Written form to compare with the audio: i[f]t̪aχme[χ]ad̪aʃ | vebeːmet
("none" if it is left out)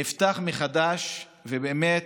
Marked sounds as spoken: f, χ

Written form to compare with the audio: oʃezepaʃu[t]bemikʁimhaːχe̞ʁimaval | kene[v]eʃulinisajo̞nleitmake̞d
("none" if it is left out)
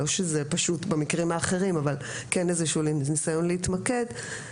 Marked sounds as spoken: t, z

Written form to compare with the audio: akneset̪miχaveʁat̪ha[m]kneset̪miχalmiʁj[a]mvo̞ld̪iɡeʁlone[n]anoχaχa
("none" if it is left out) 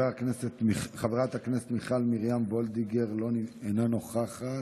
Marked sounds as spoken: none, a, n

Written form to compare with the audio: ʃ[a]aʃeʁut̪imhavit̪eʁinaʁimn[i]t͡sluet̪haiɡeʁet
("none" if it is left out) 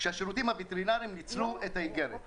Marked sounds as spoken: e, i

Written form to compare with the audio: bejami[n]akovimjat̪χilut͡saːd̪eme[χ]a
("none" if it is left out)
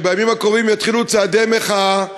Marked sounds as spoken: m, χ

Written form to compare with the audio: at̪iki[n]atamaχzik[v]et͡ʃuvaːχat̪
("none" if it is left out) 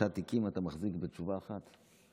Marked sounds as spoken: m, b

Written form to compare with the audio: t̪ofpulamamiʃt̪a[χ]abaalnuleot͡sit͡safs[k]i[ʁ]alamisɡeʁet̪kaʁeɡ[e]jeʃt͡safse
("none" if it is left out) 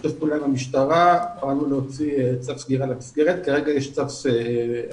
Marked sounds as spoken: ʁ, ɡ, ʁ, a

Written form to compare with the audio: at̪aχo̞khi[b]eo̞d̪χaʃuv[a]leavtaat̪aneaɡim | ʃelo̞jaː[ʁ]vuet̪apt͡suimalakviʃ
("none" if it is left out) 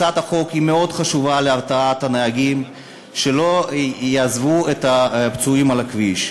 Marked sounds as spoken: m, a, z

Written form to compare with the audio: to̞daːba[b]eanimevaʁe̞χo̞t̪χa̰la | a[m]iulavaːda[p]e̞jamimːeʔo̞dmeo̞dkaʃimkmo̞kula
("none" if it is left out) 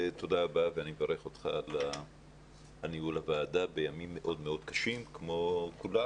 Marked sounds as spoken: v, n, b

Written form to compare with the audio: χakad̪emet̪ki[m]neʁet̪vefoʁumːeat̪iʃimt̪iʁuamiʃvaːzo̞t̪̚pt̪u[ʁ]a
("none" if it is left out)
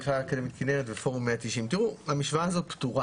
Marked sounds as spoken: none, ʁ

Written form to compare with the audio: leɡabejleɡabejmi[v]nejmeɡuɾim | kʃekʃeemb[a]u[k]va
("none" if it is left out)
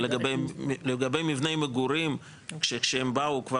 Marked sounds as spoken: v, a, k

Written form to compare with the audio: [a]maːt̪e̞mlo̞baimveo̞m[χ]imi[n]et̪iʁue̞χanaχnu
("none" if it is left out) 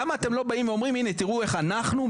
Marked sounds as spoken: a, ʁ, n

